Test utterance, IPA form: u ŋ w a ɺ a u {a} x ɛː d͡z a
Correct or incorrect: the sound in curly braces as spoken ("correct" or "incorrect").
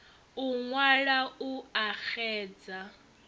correct